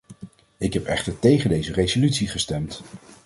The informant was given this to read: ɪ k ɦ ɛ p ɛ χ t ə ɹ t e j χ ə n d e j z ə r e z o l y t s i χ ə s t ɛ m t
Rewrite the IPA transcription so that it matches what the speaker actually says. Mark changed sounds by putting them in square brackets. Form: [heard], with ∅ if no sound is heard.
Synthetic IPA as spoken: ɪ k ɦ ɛ p ɛ χ t ə ɹ t e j χ ə n d e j z ə r e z o l y t s i χ ə s t ɛ m t